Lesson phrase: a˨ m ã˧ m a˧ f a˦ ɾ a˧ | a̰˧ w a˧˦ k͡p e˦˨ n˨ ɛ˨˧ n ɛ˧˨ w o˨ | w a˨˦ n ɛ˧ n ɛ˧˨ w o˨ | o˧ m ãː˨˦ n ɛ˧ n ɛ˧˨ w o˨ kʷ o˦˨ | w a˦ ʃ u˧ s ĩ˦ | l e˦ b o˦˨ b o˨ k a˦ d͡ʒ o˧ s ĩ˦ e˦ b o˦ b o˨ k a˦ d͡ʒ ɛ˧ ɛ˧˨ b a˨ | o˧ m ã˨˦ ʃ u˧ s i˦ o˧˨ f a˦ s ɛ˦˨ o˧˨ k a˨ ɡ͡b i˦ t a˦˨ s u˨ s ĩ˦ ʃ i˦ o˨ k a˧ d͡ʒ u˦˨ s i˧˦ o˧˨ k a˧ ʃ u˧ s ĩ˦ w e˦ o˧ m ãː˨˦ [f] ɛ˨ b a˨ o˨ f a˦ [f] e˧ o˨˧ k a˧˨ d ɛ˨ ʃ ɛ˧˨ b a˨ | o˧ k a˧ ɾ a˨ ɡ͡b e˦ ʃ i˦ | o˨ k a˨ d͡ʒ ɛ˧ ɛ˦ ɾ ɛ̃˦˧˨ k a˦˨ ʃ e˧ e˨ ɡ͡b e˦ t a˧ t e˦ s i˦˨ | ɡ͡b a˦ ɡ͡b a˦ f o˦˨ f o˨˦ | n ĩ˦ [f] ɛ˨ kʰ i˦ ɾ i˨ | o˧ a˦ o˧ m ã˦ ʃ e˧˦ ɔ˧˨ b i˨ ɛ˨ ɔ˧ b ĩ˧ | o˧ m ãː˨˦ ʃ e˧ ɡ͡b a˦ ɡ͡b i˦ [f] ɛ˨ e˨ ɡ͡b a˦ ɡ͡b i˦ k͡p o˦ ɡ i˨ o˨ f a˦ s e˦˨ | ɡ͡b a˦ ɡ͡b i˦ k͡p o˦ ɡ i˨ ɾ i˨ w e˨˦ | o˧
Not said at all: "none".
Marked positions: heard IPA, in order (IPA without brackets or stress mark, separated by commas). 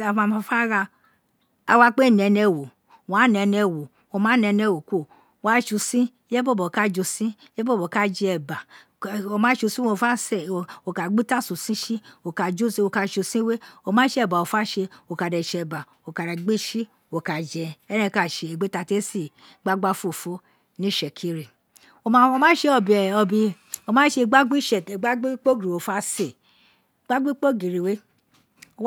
ʃ, ʃ, ʃ, ʃ